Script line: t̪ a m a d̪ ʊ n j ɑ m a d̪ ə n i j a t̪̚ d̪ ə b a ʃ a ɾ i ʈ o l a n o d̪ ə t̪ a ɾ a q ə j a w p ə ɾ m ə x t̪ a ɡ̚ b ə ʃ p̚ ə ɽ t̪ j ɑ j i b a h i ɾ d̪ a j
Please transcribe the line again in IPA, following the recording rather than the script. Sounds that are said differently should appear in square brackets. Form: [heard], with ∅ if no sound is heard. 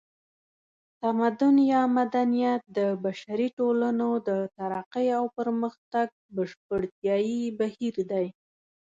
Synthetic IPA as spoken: t̪ a m a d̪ ʊ n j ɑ m a d̪ [a] n i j a t̪̚ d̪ ə b a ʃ a ɾ i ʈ o l a n o d̪ ə t̪ a ɾ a q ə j a w p ə ɾ m ə x t̪ a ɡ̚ b ə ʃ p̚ ə ɽ t̪ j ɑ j i b a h i ɾ d̪ a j